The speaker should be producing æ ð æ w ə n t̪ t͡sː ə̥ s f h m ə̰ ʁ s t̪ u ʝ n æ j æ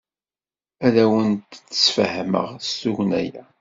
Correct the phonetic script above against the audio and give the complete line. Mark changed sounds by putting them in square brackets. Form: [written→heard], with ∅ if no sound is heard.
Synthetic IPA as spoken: æ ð æ w ə n t̪ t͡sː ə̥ s f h m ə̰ ʁ s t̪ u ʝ n æ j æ